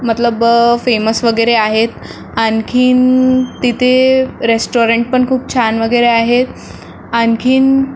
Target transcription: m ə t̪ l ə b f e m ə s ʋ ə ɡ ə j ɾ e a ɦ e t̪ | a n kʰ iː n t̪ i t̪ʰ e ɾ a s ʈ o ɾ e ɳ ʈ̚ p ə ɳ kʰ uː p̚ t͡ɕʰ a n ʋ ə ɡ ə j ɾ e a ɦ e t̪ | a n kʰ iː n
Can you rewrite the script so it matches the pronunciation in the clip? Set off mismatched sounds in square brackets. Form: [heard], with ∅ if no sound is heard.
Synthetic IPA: m ə t̪ l ə b f e m ə s ʋ ə ɡ ə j ɾ e a ɦ e t̪ | a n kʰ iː n t̪ i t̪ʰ e ɾ [e] s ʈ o ɾ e ɳ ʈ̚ p ə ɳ kʰ uː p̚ t͡ɕʰ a n ʋ ə ɡ ə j ɾ e a ɦ e t̪ | a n kʰ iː n